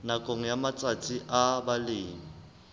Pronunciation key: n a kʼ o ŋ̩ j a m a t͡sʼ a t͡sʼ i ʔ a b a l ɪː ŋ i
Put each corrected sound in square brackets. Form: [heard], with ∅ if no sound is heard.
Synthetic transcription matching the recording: n a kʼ o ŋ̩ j a m a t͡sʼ a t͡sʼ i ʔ a b a l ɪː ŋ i